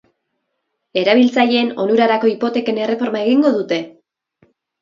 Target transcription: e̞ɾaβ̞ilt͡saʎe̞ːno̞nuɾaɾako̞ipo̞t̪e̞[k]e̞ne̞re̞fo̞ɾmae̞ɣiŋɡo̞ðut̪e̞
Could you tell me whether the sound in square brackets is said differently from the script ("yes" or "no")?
no